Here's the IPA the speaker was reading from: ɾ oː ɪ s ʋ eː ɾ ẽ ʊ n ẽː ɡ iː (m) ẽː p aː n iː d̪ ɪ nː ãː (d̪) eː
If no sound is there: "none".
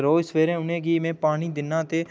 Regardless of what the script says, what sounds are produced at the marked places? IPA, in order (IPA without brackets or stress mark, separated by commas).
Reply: m, t̪